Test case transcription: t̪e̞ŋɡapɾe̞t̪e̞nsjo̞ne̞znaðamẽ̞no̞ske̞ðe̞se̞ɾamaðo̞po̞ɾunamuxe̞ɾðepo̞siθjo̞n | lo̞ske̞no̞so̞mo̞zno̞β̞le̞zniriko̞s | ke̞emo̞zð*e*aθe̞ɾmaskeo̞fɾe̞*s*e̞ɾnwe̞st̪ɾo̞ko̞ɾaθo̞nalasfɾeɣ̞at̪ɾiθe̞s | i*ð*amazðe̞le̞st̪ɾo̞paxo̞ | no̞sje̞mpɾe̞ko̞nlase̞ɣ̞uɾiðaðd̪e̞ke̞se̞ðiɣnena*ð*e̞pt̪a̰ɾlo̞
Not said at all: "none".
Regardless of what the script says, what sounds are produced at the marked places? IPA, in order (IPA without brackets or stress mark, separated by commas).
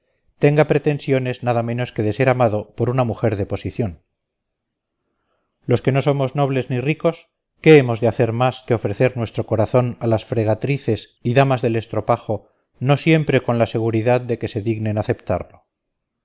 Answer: e, θ, ð, θ